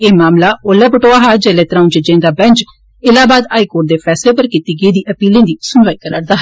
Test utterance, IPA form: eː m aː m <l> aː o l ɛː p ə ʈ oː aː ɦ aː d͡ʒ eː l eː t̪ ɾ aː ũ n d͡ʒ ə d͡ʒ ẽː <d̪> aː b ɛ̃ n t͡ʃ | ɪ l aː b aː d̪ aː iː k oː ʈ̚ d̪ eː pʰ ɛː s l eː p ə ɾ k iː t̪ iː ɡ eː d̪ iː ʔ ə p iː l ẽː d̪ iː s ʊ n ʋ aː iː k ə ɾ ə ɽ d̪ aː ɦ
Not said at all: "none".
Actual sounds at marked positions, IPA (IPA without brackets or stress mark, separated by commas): l, d̪